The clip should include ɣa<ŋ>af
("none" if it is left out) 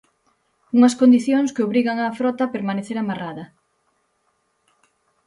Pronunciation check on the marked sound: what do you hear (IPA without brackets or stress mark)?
ŋ